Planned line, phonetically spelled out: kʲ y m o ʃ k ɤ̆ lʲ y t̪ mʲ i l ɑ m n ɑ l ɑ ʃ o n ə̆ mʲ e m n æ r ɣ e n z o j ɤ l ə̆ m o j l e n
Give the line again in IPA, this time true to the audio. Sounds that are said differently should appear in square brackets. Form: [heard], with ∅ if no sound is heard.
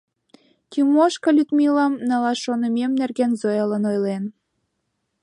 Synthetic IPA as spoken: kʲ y m o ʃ k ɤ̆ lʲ y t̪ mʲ i l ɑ m n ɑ l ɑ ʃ o n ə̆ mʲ e m n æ r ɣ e n z o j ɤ l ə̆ [n] o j l e n